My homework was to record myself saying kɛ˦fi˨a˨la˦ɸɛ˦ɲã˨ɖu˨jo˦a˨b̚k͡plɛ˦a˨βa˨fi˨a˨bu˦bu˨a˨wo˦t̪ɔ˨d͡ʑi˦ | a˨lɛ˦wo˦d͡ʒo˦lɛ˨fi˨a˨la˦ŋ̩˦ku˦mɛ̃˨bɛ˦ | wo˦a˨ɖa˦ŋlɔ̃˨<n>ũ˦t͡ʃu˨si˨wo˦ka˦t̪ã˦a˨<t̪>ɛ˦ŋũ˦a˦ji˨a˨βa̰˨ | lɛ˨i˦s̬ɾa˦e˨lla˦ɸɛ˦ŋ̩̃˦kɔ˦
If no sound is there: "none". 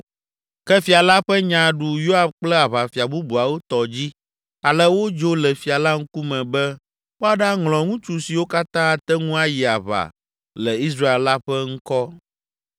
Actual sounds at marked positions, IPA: ŋ, t̪

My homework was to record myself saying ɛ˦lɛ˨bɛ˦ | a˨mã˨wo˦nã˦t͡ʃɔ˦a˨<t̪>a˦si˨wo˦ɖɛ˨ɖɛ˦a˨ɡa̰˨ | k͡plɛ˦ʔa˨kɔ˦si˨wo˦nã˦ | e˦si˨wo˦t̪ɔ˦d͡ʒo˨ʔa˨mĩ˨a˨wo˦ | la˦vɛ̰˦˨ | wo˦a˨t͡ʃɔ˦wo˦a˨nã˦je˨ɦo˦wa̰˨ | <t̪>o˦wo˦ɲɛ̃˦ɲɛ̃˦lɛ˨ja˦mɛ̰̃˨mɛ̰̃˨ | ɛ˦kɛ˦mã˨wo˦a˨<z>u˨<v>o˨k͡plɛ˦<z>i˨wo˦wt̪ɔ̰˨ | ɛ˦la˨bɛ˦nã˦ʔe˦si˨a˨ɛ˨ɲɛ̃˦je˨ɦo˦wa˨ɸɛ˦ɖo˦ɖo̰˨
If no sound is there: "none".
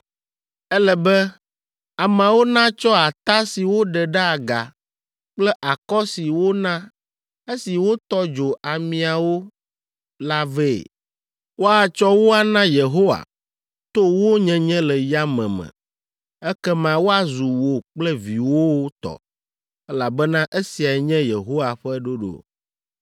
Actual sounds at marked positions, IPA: t̪, t̪, z, w, v

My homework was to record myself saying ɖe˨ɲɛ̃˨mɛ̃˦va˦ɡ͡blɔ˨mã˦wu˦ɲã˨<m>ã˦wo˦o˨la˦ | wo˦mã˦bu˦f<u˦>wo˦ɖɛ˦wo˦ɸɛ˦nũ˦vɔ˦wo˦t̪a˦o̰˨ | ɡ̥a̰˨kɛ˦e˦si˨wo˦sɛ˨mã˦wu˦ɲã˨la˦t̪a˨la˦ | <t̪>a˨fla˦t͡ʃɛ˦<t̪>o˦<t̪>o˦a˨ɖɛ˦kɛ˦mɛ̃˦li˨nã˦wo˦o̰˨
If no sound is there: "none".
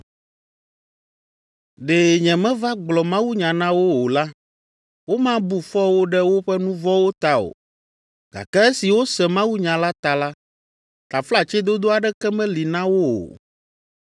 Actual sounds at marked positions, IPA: n, ɔ˦, t̪, d̪, d̪

